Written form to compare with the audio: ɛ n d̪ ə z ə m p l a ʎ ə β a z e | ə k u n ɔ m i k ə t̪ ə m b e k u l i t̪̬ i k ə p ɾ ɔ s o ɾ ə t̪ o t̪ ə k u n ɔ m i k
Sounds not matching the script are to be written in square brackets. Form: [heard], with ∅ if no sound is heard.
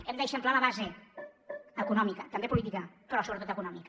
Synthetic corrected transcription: ɛ [m] d̪ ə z ə m p l a [l] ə β a z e | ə k u n ɔ m i k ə t̪ ə m b e [p] u l i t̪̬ i k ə p ɾ ɔ s o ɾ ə t̪ o t̪ ə k u n ɔ m i k